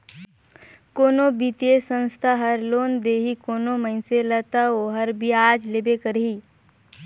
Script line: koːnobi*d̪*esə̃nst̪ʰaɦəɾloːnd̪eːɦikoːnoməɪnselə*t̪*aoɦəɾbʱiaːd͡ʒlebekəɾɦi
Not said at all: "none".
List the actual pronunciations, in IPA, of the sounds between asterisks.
t̪, t̪

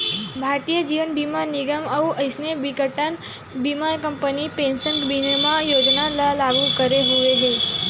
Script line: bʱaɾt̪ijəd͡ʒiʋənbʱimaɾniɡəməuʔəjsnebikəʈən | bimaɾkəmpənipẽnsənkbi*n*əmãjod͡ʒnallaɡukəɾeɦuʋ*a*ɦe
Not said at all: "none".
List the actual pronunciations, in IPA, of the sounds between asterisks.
n, e

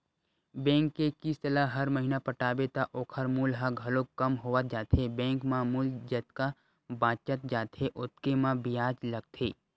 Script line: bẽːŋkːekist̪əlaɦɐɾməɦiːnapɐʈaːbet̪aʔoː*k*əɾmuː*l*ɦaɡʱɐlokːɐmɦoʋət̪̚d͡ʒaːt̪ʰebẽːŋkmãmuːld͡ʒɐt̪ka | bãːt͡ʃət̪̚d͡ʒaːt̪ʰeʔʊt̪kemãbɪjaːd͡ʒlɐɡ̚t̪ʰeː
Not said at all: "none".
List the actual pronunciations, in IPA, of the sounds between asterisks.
kʰ, l

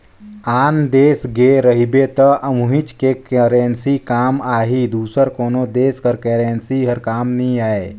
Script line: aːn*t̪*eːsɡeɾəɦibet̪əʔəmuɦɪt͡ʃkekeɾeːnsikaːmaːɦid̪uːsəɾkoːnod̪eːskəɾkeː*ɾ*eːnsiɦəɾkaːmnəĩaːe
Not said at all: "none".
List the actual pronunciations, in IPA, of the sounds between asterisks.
d̪, ɾ

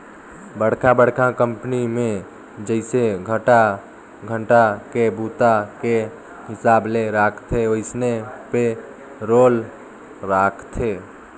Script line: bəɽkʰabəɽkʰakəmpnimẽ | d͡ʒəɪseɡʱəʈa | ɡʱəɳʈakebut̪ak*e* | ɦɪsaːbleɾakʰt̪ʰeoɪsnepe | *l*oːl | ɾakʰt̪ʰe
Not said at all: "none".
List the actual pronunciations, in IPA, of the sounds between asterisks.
e, ɾ

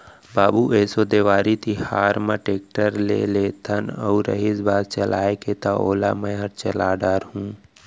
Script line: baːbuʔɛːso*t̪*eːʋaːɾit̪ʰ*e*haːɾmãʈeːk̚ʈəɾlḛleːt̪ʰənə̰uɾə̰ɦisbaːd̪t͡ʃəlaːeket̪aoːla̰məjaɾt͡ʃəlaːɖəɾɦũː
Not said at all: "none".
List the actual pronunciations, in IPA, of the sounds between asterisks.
d̪, i

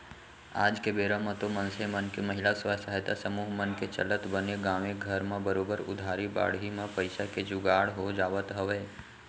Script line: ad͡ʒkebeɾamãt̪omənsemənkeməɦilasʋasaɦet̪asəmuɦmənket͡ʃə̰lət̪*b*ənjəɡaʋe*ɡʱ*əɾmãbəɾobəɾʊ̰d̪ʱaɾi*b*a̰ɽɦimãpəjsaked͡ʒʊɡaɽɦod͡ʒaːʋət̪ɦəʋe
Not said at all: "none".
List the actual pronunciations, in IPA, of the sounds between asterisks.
b, ɡʱ, b

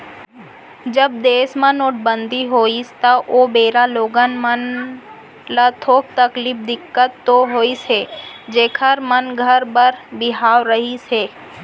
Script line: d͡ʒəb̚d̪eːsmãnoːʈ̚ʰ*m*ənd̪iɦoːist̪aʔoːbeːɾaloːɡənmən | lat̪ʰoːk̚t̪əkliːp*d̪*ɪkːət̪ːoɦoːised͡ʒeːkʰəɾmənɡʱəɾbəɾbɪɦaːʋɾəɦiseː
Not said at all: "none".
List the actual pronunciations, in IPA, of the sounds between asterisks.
b, d̪

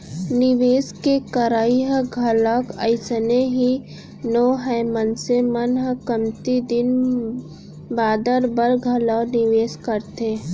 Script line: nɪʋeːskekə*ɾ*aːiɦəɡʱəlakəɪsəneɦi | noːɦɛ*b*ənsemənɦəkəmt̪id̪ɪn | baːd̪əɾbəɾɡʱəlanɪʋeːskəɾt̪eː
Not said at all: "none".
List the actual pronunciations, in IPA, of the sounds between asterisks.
ɾ, m

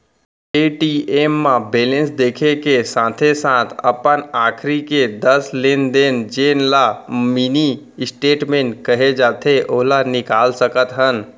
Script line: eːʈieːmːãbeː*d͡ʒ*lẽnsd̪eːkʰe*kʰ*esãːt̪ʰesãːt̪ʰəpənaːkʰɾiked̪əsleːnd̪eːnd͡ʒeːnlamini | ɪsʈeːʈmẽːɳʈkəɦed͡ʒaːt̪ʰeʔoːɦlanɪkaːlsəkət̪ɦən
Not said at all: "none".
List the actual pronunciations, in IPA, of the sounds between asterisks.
none, k

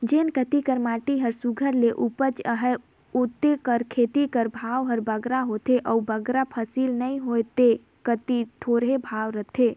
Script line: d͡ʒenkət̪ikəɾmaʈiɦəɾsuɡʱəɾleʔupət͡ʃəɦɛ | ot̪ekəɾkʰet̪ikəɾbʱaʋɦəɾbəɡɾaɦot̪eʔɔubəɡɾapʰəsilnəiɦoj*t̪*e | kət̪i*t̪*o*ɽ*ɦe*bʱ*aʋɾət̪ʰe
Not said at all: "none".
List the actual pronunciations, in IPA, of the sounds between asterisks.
t̪, t̪ʰ, ɾ, bʱ

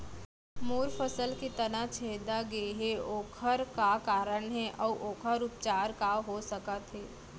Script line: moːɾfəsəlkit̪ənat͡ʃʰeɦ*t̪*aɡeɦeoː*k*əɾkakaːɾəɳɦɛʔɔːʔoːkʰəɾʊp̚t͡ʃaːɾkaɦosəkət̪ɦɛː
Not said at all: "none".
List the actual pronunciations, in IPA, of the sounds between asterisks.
d̪, kʰ

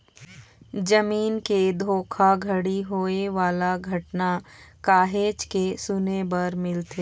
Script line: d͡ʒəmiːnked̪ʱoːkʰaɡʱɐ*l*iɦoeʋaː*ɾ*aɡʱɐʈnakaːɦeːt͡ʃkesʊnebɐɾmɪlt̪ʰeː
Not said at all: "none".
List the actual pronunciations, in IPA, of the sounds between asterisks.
ɽ, l

